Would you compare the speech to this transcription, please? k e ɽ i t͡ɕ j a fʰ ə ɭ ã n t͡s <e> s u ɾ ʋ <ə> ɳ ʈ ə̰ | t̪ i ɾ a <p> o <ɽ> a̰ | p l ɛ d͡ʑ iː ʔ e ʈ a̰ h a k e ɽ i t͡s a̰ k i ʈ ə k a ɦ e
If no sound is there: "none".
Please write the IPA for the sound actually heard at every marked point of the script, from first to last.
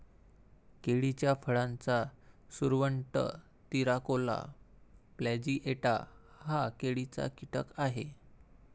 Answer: a, ə, k, l

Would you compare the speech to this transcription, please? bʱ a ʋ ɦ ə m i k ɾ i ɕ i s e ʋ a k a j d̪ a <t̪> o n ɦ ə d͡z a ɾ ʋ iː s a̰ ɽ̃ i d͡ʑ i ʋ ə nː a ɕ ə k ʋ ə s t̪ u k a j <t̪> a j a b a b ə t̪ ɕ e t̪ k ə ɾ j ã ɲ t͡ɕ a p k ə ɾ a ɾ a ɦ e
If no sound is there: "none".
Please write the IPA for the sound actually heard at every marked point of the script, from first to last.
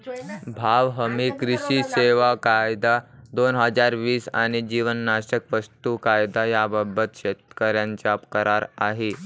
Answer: d̪, d̪

